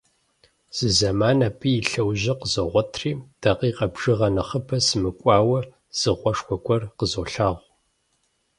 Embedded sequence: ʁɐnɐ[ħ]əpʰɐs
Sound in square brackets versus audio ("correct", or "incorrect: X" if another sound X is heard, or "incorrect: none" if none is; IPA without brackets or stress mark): incorrect: χ